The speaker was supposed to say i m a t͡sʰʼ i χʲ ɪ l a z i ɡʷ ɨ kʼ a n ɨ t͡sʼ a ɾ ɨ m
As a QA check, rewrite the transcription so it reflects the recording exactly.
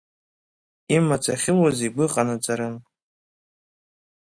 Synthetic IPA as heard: i m a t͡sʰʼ a χʲ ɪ l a z i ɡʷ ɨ qʼ a n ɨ t͡sʼ a ɾ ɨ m